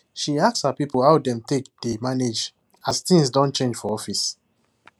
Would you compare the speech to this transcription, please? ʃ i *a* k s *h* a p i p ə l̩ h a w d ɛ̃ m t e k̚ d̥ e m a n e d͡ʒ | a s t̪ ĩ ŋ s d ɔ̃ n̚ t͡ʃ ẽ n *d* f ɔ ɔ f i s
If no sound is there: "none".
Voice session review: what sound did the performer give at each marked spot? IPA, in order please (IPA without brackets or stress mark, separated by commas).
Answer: a, h, d͡ʒ